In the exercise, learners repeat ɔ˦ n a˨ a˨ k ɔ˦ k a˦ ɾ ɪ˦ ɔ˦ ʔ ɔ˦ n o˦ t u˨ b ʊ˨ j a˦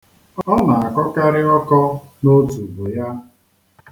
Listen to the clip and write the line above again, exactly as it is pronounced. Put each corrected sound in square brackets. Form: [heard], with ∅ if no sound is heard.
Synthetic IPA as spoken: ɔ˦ n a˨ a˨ k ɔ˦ k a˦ ɾ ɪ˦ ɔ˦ [k] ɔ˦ n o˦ t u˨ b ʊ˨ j a˦